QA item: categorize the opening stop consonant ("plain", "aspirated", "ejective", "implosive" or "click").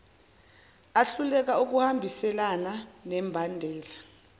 plain